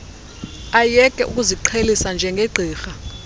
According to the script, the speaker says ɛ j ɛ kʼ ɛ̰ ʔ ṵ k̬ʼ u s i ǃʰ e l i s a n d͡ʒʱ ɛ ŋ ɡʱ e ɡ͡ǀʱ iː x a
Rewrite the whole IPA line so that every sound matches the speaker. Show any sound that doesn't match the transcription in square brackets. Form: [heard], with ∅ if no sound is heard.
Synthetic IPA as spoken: [a] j ɛ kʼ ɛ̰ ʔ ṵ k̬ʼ u [z] i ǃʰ e l i s a n d͡ʒʱ ɛ ŋ ɡʱ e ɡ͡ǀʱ iː x a